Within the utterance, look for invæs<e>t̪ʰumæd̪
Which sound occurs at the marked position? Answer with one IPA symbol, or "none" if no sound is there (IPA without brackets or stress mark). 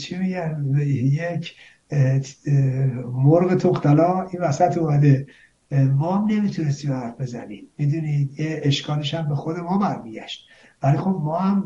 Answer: æ